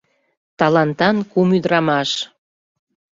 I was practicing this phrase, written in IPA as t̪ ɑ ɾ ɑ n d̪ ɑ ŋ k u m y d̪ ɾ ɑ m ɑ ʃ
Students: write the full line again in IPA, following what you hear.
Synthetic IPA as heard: t̪ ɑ l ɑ n t̪ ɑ n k u m y d̪ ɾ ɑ m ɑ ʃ